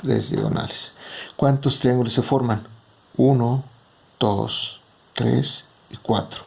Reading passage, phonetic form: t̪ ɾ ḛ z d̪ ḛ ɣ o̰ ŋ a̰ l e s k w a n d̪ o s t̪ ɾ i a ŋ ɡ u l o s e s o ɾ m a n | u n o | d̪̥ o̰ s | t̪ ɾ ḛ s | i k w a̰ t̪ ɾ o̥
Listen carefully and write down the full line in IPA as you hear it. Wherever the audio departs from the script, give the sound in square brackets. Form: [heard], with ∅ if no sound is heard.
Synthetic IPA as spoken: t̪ ɾ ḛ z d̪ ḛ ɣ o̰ [n] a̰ l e s k w a n [t̪] o s t̪ ɾ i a ŋ ɡ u l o s e [f] o ɾ m a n | u n o | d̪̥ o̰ s | t̪ ɾ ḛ s | i k w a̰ t̪ ɾ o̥